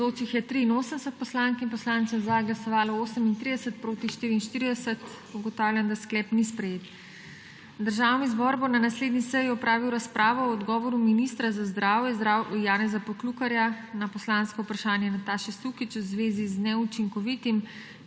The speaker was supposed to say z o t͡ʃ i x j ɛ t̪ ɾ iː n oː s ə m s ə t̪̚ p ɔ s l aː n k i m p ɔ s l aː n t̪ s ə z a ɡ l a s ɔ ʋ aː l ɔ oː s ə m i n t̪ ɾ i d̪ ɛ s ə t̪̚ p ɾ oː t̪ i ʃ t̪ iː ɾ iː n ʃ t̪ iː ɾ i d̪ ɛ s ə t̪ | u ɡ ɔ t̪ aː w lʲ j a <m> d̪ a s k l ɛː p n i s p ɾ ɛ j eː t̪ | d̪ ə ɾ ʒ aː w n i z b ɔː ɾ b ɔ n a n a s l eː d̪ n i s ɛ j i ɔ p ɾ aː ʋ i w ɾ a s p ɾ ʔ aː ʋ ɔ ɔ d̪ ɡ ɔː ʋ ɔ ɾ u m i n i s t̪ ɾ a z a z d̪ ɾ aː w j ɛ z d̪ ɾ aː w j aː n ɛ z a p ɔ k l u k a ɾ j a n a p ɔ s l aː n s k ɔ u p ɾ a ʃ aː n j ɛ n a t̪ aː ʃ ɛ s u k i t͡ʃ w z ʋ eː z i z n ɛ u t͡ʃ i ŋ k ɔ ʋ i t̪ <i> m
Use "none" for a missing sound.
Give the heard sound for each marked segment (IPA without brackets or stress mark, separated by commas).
n, i